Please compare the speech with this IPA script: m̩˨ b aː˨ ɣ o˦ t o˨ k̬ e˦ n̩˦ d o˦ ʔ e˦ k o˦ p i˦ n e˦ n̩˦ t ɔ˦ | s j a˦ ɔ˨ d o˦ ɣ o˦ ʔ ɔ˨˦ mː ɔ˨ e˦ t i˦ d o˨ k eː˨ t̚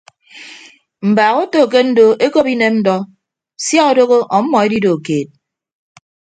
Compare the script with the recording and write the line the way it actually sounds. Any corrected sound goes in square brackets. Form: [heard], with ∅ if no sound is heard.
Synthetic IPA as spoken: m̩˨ b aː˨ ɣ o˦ t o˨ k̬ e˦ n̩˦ d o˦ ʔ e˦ k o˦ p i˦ n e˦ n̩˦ [d] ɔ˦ | s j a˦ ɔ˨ d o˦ ɣ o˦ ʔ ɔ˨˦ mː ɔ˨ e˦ [d] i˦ d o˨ k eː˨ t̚